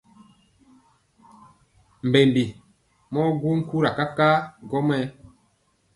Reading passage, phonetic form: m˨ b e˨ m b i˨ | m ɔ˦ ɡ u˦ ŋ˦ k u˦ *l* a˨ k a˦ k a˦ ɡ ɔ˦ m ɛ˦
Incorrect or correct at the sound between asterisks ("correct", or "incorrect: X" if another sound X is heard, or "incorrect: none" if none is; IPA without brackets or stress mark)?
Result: incorrect: ɾ